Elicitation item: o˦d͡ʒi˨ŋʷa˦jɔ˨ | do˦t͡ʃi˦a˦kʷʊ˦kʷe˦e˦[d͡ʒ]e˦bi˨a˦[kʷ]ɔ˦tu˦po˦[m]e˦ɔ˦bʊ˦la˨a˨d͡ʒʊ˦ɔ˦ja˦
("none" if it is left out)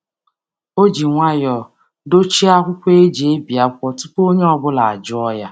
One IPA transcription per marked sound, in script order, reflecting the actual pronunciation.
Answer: d͡ʒ, kʷ, ɲ

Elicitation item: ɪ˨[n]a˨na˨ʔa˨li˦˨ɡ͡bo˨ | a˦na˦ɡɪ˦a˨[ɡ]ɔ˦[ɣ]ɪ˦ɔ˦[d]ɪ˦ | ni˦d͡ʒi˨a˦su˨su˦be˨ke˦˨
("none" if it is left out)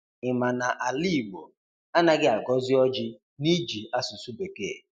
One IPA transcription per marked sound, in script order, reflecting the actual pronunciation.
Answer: m, ɡ, z, d͡ʒ

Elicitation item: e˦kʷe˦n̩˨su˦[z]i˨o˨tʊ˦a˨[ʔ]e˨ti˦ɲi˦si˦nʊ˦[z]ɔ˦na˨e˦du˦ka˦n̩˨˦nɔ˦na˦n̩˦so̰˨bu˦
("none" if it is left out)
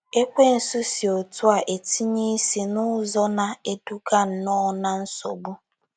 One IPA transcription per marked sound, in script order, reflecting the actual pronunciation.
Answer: s, ʔ, z

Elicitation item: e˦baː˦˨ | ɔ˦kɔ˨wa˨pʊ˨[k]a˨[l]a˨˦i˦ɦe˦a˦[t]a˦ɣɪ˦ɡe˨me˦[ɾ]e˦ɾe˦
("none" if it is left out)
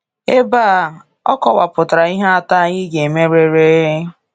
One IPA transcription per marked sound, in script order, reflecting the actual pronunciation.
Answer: t, ɾ, t, ɾ

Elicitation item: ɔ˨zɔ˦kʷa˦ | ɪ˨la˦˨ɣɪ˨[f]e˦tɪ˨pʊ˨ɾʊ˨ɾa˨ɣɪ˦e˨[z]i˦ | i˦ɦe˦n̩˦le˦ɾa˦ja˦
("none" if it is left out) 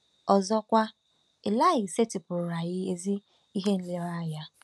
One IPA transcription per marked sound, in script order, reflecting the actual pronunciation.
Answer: s, z

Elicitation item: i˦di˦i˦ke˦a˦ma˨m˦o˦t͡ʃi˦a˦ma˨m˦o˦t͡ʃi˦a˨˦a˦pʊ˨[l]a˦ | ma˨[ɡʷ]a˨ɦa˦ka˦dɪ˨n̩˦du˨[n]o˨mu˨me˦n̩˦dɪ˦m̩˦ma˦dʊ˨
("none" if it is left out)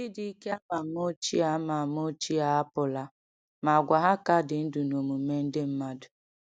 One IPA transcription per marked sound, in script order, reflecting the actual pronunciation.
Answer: l, ɡʷ, n

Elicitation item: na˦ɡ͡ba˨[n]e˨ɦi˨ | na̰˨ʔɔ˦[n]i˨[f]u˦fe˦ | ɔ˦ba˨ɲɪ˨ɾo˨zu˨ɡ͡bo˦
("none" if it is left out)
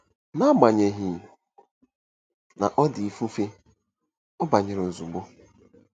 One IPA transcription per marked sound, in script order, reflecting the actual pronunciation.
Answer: ɲ, d, f

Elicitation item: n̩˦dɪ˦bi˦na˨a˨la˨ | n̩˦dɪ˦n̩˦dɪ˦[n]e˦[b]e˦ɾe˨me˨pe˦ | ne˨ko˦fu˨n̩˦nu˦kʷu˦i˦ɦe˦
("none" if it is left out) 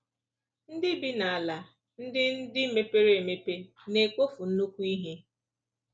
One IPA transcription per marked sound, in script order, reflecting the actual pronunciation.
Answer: m, p

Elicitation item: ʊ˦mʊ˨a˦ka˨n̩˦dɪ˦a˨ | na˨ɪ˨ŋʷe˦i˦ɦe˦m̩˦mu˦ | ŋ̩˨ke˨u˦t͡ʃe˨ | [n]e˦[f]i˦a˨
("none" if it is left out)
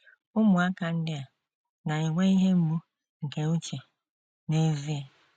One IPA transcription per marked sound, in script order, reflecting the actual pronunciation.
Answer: n, v

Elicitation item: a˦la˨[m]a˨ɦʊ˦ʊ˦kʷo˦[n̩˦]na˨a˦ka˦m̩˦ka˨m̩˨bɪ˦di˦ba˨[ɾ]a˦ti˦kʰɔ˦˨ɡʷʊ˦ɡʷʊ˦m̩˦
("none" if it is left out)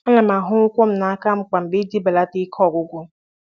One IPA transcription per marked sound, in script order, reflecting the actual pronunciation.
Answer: m, m̩˦, l

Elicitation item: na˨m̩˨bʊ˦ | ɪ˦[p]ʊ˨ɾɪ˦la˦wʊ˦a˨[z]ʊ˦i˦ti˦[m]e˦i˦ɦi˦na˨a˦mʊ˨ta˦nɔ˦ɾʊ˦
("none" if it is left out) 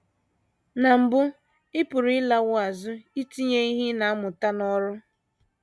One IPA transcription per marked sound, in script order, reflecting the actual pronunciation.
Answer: p, z, ɲ

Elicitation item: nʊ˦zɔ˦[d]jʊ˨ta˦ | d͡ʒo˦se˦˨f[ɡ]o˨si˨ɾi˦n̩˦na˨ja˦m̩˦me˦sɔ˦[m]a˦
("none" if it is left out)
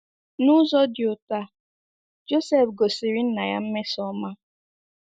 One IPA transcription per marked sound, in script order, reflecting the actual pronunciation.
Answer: d, ɡ, m

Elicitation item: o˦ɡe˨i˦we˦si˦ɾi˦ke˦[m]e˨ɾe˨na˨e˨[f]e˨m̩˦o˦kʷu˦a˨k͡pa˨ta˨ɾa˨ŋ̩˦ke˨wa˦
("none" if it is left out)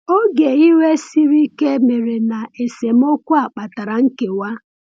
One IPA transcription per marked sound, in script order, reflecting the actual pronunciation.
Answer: m, s

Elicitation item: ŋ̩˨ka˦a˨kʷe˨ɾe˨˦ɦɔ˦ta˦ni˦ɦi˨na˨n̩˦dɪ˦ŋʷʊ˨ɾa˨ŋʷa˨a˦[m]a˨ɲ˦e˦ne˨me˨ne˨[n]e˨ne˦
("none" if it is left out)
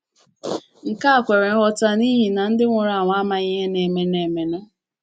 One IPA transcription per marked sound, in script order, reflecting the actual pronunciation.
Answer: m, m

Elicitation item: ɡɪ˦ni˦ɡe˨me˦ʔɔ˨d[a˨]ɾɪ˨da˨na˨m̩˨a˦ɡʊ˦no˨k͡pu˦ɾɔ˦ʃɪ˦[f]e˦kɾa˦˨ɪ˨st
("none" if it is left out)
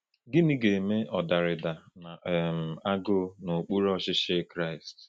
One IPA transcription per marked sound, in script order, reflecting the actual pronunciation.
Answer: a˨, ʃ

